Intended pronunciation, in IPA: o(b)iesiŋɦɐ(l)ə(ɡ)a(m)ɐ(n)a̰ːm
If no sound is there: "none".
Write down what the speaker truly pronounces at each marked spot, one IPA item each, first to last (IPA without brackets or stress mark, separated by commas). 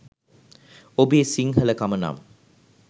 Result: b, l, k, m, n